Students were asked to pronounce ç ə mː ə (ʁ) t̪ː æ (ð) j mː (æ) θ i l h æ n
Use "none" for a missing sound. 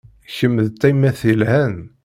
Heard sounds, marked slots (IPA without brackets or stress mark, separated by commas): ð, none, æ